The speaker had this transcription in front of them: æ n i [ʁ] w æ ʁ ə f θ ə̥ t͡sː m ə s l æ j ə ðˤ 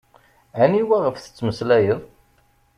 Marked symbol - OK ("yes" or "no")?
no